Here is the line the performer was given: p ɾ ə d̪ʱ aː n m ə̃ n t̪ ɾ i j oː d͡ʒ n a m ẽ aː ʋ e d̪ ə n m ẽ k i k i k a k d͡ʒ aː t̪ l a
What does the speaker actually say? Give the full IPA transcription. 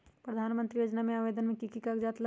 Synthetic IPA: p ɾ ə d̪ʱ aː n m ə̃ n t̪ ɾ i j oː d͡ʒ n a m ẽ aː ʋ e d̪ ə n m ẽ k i k i k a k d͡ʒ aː t̪ l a